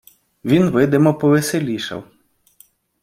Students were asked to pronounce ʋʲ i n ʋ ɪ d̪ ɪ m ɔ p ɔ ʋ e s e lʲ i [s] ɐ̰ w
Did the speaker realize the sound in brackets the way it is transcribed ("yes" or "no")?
no